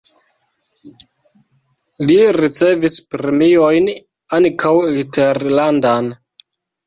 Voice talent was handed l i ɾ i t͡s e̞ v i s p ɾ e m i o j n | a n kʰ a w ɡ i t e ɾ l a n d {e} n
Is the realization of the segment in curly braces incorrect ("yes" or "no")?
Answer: yes